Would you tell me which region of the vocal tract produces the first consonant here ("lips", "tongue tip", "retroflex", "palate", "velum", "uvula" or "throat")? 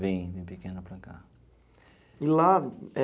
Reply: lips